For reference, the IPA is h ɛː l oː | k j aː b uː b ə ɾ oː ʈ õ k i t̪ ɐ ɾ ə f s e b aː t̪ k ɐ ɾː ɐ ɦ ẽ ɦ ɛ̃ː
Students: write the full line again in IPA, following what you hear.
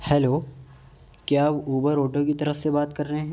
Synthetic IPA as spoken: h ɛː l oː | k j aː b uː b ə ɾ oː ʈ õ k i t̪ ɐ ɾ ə f s e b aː t̪ k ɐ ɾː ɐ ɦ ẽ ɦ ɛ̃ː